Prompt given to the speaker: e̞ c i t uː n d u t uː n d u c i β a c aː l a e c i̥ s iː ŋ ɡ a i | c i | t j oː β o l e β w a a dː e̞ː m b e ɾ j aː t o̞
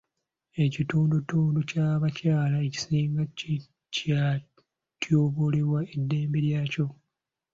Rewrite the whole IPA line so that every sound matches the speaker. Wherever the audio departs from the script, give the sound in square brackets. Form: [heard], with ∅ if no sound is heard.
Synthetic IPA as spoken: e̞ c i t uː n d u t uː n d u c [a] β a c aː l a e c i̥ s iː ŋ ɡ a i | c [a] | t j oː β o l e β w a [e] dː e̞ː m b e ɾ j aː [c] o̞